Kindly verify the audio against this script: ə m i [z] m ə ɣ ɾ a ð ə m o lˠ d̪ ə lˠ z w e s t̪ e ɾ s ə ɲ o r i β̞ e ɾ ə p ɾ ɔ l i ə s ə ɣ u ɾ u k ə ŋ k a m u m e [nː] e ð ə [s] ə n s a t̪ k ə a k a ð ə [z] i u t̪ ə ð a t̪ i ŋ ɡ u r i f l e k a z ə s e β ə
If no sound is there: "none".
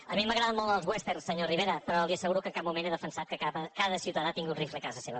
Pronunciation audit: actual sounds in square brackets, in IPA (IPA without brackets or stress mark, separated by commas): none, n, f, s